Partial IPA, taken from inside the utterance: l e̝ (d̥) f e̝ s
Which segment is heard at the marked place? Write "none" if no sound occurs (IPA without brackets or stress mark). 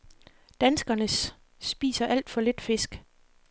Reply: d̥